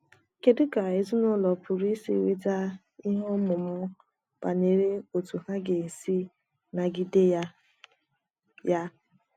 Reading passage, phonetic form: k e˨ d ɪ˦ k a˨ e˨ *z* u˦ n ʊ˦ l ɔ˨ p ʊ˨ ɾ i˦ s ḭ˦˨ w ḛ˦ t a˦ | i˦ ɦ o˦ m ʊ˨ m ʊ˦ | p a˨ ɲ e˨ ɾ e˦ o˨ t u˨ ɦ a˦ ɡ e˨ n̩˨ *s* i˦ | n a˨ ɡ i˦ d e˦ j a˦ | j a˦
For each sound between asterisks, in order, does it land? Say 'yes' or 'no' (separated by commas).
yes, yes